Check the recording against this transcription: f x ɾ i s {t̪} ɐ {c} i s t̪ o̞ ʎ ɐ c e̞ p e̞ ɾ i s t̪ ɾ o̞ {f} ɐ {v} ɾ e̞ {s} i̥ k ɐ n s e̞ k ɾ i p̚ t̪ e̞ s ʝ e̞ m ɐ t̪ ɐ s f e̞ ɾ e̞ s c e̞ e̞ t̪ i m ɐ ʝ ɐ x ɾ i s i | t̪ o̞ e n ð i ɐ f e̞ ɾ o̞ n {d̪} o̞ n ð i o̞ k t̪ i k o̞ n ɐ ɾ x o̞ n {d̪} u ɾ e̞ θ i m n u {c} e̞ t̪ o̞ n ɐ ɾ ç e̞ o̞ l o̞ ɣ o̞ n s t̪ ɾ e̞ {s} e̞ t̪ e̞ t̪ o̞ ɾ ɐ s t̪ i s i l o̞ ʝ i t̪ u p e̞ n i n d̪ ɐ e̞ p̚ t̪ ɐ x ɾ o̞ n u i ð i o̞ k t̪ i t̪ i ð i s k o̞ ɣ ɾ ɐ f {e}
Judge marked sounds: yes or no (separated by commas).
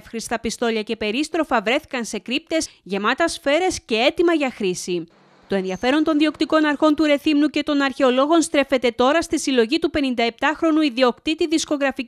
yes, no, yes, yes, no, no, no, yes, no, no